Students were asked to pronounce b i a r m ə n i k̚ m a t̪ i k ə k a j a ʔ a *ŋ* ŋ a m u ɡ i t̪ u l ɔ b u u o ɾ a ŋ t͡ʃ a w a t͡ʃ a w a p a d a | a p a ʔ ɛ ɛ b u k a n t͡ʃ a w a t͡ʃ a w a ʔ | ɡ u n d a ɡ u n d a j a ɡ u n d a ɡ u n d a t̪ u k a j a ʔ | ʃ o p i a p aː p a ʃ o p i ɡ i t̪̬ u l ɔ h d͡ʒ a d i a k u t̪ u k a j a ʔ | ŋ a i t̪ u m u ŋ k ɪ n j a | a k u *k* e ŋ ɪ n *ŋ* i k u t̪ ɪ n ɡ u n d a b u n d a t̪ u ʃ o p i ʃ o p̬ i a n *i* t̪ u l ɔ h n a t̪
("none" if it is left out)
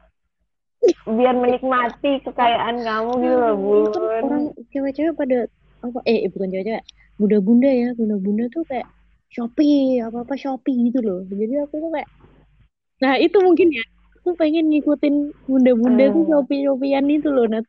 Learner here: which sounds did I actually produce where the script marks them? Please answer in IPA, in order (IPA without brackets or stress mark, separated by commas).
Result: n, p, ŋ, i